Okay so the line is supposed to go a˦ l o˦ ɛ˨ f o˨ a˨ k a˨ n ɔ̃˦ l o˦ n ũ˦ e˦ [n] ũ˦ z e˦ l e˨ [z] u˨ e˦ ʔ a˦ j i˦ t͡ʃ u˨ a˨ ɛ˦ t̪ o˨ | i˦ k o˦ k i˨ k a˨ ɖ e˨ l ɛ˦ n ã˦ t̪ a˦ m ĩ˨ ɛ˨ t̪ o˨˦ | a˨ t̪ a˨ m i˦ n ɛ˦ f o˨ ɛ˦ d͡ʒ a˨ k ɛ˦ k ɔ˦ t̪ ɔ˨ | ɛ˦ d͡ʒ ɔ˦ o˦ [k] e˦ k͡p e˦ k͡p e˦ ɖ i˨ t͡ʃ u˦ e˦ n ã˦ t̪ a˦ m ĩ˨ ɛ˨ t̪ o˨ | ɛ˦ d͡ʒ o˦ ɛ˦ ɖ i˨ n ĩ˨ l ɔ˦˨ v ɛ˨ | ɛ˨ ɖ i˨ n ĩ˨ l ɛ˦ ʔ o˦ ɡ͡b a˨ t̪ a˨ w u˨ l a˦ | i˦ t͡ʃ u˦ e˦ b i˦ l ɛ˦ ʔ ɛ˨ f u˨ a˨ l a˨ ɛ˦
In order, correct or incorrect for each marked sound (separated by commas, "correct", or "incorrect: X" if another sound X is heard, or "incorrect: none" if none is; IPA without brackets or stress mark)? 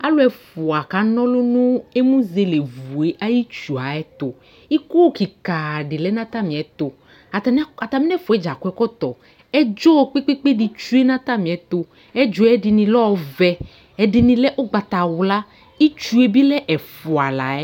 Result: incorrect: m, incorrect: v, incorrect: k͡p